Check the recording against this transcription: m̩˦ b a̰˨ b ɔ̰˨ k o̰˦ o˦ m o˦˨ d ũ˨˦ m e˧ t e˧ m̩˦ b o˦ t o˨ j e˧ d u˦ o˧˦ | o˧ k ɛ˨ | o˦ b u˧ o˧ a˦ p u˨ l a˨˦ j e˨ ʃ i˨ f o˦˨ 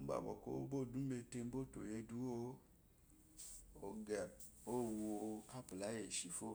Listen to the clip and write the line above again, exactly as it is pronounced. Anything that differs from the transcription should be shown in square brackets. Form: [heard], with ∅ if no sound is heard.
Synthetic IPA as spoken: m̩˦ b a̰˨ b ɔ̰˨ k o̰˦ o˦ [b] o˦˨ d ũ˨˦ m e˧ t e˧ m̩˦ b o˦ t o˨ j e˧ d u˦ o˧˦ | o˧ [ɡ] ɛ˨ | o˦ [w] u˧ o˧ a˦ p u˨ l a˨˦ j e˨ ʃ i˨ f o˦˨